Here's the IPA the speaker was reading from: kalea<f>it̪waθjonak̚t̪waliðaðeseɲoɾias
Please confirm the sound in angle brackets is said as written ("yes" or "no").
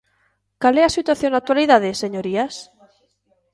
no